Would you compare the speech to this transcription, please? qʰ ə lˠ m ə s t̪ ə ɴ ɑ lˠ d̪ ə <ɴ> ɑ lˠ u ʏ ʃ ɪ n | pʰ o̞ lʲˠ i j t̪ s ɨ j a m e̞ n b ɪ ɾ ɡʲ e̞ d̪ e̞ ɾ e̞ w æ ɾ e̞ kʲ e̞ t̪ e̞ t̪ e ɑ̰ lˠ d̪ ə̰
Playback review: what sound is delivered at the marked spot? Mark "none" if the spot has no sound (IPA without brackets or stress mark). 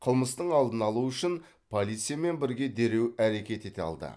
n